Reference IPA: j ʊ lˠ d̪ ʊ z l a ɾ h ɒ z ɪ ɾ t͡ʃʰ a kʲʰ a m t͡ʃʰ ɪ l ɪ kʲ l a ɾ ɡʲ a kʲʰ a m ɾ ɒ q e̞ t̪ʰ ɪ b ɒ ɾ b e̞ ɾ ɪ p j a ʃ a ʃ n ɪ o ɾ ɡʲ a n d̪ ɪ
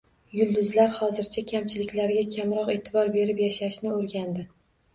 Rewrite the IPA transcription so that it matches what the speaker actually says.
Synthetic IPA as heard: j ʊ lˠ d̪ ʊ z l a ɾ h ɒ z ɪ ɾ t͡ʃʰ a kʲʰ a m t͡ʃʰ ɪ l ɪ kʲ l a ɾ ɡʲ a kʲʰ a m ɾ ɒ q e̞ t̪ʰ ɪ b ɒ ɾ b e̞ ɾ ɪ p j a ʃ a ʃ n ɪ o ɾ ɡʲ a n d̪ ɪ